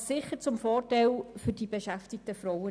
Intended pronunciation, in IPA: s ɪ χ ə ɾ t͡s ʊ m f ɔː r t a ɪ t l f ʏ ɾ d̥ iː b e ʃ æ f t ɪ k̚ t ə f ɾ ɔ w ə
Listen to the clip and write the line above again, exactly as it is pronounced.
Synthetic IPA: s ɪ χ ə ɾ t͡s ʊ m f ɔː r t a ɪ l f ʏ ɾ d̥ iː b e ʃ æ f t ɪ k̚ t ə f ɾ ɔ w ə

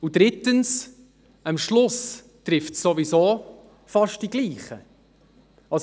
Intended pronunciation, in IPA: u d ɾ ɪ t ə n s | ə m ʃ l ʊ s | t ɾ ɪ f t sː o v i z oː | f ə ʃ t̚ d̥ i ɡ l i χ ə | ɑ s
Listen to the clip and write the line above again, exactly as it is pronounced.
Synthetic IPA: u d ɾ ɪ t ə n s | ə m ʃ l ʊ s | t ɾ ɪ f t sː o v i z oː | f ɑ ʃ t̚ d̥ i ɡ l iː χ ə | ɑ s

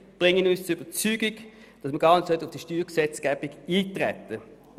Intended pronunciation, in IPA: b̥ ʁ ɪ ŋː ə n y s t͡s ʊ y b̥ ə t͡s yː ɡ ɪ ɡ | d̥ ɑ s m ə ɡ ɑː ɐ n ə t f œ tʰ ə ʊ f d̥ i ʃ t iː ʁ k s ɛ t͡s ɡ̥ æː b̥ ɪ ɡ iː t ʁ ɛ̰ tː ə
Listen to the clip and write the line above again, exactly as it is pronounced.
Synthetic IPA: b̥ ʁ ɪ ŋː ə n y s t͡s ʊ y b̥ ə t͡s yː ɡ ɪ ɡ | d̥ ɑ s m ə ɡ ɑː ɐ n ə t s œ t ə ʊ f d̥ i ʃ t yː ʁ k s ɛ t͡s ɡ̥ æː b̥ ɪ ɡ iː t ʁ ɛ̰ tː ə

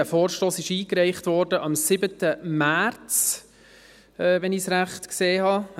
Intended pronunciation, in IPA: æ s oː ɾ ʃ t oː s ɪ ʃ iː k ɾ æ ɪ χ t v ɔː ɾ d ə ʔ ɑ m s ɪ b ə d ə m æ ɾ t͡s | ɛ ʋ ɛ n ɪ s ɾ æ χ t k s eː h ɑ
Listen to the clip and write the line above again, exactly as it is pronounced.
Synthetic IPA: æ f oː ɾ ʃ t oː s ɪ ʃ iː k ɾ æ ɪ χ t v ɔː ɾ d ə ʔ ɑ m s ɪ b ə t ə m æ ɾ t͡s | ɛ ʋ ɛ n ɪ s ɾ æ χ t k s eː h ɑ

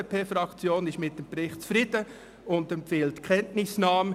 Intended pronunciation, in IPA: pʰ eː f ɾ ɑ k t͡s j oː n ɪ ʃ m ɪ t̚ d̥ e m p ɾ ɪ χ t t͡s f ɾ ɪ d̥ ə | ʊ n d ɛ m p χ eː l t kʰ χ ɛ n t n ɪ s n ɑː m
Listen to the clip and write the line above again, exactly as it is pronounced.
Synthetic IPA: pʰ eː f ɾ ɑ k t͡s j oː n ɪ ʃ m ɪ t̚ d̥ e m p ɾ ɪ χ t t͡s f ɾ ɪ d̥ ə | ʊ n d ɛ m p f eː l t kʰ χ ɛ n t n ɪ s n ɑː m

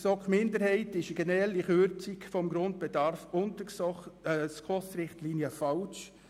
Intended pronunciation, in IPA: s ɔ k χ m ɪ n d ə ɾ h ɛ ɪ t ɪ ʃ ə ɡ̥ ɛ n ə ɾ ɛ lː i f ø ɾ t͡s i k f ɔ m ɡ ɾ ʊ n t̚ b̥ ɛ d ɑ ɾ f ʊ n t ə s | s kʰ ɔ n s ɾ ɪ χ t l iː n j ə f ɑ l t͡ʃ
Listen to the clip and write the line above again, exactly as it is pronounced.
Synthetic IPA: s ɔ k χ m ɪ n d ə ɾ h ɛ ɪ t ɪ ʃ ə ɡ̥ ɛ n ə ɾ ɛ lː i χ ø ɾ t͡s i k f ɔ m ɡ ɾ ʊ n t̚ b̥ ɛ d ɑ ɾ f ʊ n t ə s | s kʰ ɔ s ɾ ɪ χ t l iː n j ə f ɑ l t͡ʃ

